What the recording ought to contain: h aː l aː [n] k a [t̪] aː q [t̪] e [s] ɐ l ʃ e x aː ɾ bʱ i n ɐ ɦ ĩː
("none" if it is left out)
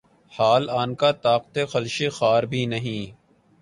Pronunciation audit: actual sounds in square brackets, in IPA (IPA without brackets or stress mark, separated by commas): n, t̪, t̪, x